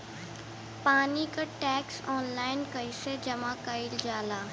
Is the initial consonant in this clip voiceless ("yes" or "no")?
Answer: yes